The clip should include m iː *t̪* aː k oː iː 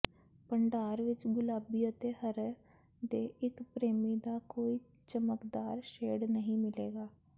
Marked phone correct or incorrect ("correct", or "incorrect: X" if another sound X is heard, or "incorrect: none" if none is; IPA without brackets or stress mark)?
incorrect: d̪